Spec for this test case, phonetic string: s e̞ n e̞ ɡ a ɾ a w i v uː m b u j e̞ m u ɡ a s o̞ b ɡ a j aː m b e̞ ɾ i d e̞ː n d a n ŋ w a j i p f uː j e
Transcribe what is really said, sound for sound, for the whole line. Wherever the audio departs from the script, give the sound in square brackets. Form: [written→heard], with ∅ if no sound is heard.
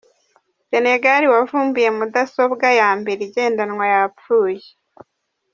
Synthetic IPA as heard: s e̞ n e̞ ɡ a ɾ [a→i] w [i→a] v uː m b u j e̞ m u [ɡ→d] a s o̞ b ɡ a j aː m b e̞ ɾ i [d→ɟ] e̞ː n d a n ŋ w a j [i→a] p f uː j e

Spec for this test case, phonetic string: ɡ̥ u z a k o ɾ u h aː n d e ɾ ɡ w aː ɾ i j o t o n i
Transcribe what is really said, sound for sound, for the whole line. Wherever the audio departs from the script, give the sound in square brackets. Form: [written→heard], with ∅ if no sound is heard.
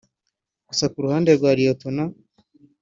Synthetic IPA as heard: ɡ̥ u [z→s] a k [o→u] ɾ u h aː n d e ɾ ɡ w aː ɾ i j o t o n [i→a]

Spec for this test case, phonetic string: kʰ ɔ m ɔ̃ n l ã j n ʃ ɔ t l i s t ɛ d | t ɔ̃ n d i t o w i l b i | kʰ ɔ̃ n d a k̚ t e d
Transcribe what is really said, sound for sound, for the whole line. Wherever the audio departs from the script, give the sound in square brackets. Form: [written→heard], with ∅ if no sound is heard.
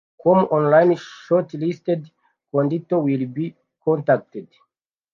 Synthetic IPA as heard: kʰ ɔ m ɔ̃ n l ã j n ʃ ɔ t l i s t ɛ d | [t→k] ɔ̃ n d i t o w i l b i | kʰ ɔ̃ n [d→t] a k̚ t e d

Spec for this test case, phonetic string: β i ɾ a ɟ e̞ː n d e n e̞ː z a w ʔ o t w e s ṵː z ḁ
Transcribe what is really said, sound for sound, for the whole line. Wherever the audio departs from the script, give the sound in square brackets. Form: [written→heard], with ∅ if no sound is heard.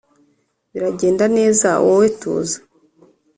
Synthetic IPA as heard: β i ɾ a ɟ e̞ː n d [e→a] n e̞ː z a w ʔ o [t→∅] w e [s→t] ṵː z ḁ

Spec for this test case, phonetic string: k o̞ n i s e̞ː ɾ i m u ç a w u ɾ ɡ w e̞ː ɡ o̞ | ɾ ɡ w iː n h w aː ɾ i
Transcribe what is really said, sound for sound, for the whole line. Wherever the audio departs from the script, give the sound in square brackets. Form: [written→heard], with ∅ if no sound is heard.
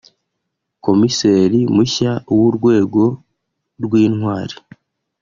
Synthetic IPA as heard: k o̞ [n→m] i s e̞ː ɾ i m u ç a w u ɾ ɡ w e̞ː ɡ o̞ | ɾ ɡ w iː n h w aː ɾ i

